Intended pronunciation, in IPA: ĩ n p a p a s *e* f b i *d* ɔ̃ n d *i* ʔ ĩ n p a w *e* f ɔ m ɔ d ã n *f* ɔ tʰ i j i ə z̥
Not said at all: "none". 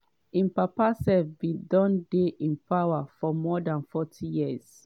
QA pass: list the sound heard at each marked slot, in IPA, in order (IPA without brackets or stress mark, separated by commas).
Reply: ɛ, d, e, a, f